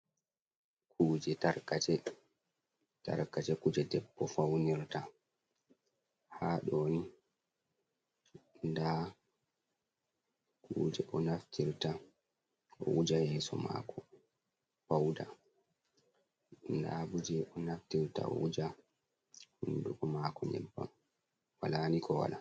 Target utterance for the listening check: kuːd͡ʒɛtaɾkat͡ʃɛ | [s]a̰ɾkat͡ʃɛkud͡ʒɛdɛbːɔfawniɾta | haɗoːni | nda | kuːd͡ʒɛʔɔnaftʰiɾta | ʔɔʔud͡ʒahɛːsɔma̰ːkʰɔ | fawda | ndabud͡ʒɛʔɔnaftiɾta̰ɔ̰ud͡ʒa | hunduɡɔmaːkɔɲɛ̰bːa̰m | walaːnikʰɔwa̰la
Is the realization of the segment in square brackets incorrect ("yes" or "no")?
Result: yes